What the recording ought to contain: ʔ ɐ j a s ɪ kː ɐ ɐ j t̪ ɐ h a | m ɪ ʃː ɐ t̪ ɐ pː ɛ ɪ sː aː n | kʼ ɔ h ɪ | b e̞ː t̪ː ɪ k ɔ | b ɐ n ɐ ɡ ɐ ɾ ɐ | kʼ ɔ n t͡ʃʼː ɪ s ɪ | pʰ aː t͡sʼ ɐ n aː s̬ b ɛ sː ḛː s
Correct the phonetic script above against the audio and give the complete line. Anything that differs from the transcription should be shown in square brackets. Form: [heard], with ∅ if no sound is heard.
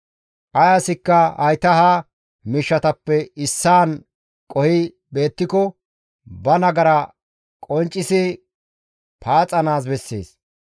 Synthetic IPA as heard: ʔ ɐ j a s ɪ kː ɐ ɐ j t̪ ɐ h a | m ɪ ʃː ɐ t̪ ɐ pː ɛ ɪ sː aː n | kʼ ɔ h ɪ | b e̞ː t̪ː ɪ k ɔ | b ɐ n ɐ ɡ ɐ ɾ ɐ | kʼ ɔ n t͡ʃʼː ɪ s ɪ | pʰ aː t͡sʼ ɐ n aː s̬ b ɛ sː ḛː s